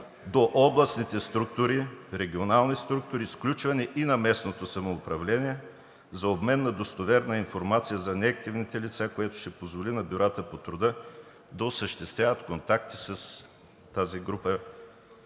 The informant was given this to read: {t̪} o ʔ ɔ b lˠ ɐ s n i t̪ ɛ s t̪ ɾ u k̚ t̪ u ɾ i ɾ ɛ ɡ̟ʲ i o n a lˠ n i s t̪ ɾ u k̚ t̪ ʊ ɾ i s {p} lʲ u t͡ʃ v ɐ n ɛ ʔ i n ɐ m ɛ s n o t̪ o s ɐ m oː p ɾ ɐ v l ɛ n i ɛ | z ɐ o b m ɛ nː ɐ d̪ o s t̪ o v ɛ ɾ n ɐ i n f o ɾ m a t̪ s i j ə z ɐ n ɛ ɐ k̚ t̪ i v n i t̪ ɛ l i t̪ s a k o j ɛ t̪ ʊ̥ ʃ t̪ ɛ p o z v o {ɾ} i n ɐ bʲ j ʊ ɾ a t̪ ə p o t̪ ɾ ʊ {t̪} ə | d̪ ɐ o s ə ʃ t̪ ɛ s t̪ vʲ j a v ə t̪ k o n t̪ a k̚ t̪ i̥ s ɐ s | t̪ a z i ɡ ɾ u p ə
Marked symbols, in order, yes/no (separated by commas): no, no, no, no